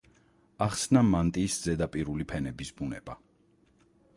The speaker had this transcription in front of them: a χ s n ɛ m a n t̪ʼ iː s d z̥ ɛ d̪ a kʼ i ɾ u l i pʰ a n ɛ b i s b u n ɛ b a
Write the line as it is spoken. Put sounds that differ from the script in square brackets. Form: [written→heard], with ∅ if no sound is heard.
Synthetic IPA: a χ s n [ɛ→a] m a n t̪ʼ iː s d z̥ ɛ d̪ a [kʼ→pʼ] i ɾ u l i pʰ [a→ɛ] n ɛ b i s b u n ɛ b a

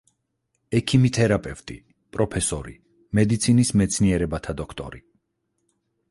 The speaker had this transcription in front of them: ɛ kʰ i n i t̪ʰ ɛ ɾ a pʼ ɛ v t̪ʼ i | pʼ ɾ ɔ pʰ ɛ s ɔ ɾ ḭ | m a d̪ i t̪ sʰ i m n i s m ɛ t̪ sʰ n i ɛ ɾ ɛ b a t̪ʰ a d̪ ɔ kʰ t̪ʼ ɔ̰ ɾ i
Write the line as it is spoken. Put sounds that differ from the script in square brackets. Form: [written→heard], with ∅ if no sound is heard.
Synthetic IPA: ɛ kʰ i [n→m] i t̪ʰ ɛ ɾ a pʼ ɛ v t̪ʼ i | pʼ ɾ ɔ pʰ ɛ s ɔ ɾ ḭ | m [a→ɛ] d̪ i t̪ sʰ i [m→∅] n i s m ɛ t̪ sʰ n i ɛ ɾ ɛ b a t̪ʰ a d̪ ɔ kʰ t̪ʼ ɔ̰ ɾ i

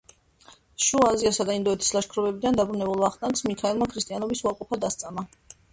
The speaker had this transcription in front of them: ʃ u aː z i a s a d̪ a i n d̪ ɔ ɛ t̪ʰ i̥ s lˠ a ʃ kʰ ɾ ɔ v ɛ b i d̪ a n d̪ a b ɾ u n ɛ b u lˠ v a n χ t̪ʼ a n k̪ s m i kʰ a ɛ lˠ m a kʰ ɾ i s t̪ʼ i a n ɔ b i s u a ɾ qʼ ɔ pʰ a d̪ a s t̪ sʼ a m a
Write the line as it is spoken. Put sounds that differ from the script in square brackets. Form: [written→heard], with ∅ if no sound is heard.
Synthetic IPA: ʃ u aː z i a s a d̪ a i n d̪ ɔ ɛ t̪ʰ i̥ s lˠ a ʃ kʰ ɾ ɔ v ɛ b i d̪ a n d̪ a b ɾ u n ɛ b u lˠ v a [n→∅] χ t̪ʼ a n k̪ s m i kʰ a ɛ lˠ m a kʰ ɾ i s t̪ʼ i a n ɔ b i s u a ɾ qʼ ɔ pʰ a d̪ a s t̪ sʼ a m a

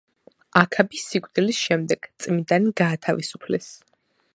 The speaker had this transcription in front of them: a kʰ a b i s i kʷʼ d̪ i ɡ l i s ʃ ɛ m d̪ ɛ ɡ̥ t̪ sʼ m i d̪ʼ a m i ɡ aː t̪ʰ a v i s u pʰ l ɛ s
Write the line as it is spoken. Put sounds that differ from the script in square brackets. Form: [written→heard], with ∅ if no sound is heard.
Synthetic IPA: a kʰ a b i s i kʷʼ d̪ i [ɡ→∅] l i s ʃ ɛ m d̪ ɛ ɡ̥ t̪ sʼ m i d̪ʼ a [m→n] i ɡ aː t̪ʰ a v i s u pʰ l ɛ s

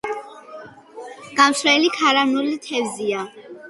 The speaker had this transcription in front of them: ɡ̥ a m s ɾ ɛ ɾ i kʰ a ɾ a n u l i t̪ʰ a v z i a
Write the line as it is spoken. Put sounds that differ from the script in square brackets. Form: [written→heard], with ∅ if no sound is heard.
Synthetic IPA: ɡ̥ a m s ɾ ɛ [ɾ→l] i kʰ a ɾ a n u l i t̪ʰ [a→ɛ] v z i a

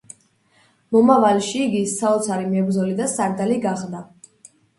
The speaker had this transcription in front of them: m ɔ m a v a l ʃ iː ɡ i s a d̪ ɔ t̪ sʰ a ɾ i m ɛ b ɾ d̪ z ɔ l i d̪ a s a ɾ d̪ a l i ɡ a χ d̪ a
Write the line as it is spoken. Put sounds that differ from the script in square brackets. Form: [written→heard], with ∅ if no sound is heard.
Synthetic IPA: m ɔ m a v a l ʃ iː ɡ i s a [d̪→∅] ɔ t̪ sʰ a ɾ i m ɛ b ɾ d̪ z ɔ l i d̪ a s a ɾ d̪ a l i ɡ a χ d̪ a

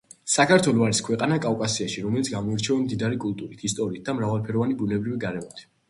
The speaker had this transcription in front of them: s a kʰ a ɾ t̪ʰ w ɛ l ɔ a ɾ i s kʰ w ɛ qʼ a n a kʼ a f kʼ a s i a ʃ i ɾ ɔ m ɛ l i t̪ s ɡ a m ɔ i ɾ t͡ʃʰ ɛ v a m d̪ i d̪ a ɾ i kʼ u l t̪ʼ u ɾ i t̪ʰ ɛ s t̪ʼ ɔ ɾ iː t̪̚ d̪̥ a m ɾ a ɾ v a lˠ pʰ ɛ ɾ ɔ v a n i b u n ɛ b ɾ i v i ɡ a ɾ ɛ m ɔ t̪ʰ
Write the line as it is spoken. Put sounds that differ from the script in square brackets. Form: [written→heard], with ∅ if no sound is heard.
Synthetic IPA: s a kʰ a ɾ t̪ʰ w ɛ l ɔ a ɾ i s kʰ w ɛ qʼ a n a kʼ a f kʼ a s i a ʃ i ɾ ɔ m ɛ l i t̪ s ɡ a m ɔ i ɾ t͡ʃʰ ɛ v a m d̪ i d̪ a ɾ i kʼ u l t̪ʼ u ɾ i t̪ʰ [ɛ→i] s t̪ʼ ɔ ɾ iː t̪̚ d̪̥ a m ɾ a [ɾ→∅] v a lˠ pʰ ɛ ɾ ɔ v a n i b u n ɛ b ɾ i v i ɡ a ɾ ɛ m ɔ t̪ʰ

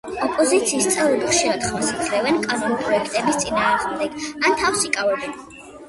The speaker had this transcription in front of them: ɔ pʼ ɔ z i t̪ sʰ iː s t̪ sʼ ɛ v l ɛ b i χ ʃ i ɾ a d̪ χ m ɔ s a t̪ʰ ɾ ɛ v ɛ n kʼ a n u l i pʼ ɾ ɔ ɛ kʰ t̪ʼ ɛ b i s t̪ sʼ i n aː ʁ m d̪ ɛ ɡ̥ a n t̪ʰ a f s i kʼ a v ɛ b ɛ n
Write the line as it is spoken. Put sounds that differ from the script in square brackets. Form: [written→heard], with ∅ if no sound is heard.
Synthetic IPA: ɔ pʼ ɔ z i t̪ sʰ iː s t̪ sʼ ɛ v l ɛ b i χ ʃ i ɾ a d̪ χ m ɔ s a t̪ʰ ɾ ɛ v ɛ n kʼ a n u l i pʼ ɾ ɔ ɛ kʰ t̪ʼ ɛ b i s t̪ sʼ i n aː ʁ m d̪ ɛ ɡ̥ a n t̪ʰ a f s i kʼ a v ɛ b ɛ n

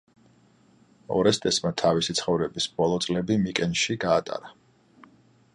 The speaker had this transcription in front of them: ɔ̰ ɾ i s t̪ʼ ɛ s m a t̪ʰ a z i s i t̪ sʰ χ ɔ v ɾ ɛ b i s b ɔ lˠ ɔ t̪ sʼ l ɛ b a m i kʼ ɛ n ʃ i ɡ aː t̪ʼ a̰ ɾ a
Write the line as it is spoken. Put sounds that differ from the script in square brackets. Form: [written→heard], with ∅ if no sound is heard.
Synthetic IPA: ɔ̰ ɾ [i→ɛ] s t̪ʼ ɛ s m a t̪ʰ a [z→v] i s i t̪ sʰ χ ɔ v ɾ ɛ b i s b ɔ lˠ ɔ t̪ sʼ l ɛ b [a→i] m i kʼ ɛ n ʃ i ɡ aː t̪ʼ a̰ ɾ a

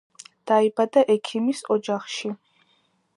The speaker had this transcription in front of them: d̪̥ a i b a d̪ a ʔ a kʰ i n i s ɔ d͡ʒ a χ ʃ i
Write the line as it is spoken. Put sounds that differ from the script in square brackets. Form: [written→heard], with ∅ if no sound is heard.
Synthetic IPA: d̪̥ a i b a d̪ a ʔ [a→ɛ] kʰ i [n→m] i s ɔ d͡ʒ a χ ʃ i

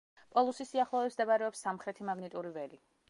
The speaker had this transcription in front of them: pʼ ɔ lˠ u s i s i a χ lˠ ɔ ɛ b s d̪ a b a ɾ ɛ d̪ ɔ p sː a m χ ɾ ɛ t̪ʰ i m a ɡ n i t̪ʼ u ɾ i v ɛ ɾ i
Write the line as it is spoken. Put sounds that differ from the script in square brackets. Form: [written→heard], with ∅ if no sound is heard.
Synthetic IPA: pʼ ɔ lˠ u s i s i a χ lˠ ɔ ɛ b s d̪ a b a ɾ ɛ [d̪→∅] ɔ p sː a m χ ɾ ɛ t̪ʰ i m a ɡ n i t̪ʼ u ɾ i v ɛ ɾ i

